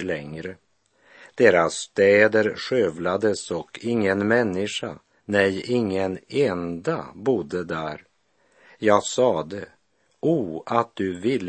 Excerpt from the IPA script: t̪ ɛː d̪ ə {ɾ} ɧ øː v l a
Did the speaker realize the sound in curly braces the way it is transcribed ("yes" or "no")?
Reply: yes